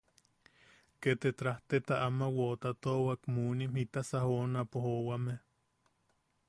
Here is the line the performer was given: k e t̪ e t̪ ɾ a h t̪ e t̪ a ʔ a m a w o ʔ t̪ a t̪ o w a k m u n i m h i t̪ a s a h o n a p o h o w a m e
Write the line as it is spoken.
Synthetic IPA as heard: k e t̪ e t̪ ɾ a h t̪ e t̪ a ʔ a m a w o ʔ t̪ a t̪ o w a k m u n i m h i t̪ a s a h o n a p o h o w a m e